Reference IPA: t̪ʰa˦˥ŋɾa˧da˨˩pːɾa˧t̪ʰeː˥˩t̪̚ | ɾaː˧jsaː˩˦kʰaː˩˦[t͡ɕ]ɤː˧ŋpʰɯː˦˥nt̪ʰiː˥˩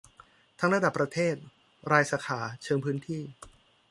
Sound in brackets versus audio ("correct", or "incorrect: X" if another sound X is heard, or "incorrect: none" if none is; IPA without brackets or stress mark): incorrect: t͡ɕʰ